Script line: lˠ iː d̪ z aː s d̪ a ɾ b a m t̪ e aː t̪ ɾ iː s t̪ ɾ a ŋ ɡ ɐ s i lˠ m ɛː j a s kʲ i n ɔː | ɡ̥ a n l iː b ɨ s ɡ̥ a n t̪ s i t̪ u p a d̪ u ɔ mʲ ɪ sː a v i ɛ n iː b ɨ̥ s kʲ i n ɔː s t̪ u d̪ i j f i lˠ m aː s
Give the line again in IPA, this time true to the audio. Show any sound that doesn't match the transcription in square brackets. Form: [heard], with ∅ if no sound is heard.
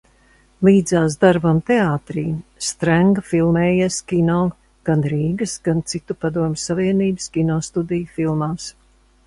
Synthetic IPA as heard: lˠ iː d̪ z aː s d̪ a ɾ b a m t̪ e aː t̪ ɾ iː s t̪ ɾ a ŋ ɡ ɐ [f] i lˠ m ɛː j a s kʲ i n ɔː | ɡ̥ a n [ɾ] iː [ɡ] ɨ s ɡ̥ a n t̪ s i t̪ u p a d̪ u ɔ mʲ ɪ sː a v i ɛ n iː b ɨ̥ s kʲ i n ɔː s t̪ u d̪ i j f i lˠ m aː s